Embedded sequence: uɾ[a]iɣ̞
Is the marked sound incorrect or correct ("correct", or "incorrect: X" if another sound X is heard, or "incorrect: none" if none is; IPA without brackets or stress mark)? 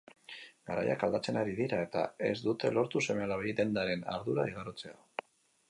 correct